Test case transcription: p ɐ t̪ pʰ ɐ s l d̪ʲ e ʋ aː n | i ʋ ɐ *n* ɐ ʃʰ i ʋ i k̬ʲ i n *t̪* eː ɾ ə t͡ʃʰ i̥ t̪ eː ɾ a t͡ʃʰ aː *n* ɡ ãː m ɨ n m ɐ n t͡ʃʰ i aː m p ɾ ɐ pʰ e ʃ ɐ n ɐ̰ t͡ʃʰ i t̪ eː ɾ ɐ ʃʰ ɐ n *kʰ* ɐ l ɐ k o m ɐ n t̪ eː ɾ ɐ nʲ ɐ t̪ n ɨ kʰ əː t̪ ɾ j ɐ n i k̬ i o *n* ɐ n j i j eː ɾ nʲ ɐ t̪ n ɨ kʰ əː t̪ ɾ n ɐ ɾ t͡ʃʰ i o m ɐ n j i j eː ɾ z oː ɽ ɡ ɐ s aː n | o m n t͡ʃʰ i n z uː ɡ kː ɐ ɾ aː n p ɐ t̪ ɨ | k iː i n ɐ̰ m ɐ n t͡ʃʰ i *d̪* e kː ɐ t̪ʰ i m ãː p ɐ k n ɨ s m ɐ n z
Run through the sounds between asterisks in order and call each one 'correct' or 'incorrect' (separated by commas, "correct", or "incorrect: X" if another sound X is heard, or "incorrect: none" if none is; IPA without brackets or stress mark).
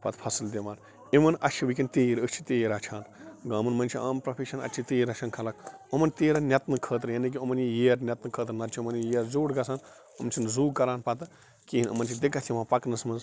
correct, correct, correct, correct, incorrect: m, correct